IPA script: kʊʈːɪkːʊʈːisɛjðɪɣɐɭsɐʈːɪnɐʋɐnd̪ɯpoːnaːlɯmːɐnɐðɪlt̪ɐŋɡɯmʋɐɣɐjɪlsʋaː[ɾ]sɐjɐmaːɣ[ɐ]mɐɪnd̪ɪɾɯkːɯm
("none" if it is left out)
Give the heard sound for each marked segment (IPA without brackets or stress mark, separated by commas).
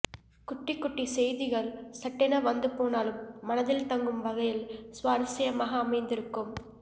ɾ, ɐː